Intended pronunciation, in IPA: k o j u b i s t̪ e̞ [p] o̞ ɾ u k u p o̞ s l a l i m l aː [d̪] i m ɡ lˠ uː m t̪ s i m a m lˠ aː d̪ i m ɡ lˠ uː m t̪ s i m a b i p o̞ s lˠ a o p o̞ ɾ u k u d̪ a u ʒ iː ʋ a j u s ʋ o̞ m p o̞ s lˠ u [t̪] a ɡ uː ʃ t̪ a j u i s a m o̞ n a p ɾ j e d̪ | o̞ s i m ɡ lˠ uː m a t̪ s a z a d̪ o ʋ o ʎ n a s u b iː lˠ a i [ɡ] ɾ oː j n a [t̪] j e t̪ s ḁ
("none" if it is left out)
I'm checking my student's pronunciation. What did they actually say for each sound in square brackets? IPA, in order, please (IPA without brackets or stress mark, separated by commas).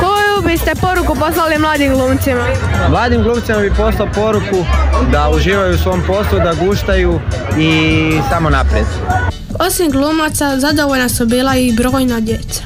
p, d̪, d̪, b, d̪